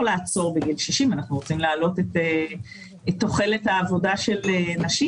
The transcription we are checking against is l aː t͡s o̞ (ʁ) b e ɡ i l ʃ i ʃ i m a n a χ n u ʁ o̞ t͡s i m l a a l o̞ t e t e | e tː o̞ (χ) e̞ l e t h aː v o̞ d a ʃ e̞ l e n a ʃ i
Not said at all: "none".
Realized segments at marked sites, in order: ʁ, χ

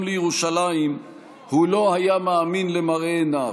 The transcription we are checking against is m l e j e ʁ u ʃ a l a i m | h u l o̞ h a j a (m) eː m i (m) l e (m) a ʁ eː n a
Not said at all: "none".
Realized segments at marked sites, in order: m, n, m

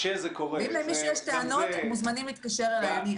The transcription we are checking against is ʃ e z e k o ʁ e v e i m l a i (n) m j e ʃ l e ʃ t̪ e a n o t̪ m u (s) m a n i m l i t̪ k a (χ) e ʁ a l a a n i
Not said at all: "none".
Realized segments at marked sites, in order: none, z, ʃ

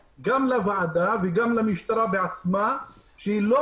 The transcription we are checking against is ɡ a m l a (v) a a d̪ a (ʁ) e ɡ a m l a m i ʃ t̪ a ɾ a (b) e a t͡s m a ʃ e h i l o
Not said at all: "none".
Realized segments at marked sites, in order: v, v, b

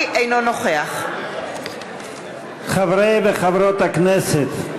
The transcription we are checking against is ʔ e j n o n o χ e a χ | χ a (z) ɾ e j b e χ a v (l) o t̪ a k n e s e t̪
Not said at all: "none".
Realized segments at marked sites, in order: v, ɾ

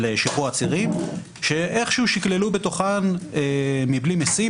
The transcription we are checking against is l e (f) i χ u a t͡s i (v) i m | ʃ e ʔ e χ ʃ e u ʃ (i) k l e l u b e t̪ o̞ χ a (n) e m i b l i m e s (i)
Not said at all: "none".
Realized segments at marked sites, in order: ʃ, ʁ, i, n, i

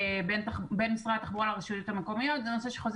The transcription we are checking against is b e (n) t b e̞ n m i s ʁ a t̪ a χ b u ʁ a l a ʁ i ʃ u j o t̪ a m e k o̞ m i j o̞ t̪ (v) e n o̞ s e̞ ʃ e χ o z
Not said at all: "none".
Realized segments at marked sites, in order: n, z

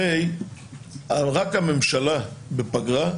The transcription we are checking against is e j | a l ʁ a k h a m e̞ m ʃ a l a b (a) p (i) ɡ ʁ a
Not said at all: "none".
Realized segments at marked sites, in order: e, a

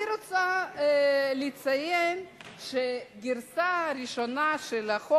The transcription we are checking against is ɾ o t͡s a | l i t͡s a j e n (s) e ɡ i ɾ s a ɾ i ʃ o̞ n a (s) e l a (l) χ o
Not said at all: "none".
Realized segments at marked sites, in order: ʃ, ʃ, none

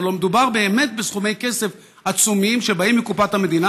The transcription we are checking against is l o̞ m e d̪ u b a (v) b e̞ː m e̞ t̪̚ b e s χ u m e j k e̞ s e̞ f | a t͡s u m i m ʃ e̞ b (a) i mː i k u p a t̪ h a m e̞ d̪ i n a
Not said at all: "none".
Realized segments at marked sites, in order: ʁ, a

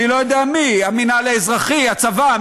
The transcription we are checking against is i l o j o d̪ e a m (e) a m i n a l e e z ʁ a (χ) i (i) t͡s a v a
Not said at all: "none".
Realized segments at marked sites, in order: i, χ, a

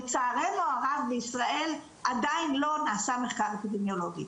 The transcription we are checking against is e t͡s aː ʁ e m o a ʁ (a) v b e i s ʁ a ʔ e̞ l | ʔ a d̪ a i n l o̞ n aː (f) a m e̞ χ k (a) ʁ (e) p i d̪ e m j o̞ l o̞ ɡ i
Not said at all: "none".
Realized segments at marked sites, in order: a, s, a, e

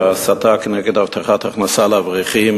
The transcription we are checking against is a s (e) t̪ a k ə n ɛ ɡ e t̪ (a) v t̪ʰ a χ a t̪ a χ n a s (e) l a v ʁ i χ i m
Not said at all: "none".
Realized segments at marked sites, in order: a, a, a

